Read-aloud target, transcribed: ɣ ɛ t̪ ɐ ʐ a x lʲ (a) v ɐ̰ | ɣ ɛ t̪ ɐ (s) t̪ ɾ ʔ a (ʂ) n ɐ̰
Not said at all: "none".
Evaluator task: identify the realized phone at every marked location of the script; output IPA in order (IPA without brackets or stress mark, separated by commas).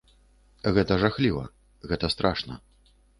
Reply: i, s, ʂ